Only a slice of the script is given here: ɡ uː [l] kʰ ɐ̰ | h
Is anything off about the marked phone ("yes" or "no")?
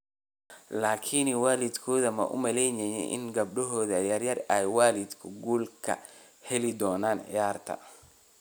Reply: no